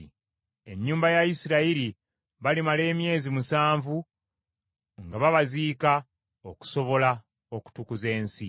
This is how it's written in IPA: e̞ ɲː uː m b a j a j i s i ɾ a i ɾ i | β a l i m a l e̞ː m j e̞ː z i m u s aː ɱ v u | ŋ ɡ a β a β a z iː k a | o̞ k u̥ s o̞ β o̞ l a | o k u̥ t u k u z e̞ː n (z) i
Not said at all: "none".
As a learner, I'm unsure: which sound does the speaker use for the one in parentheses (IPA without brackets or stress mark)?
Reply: s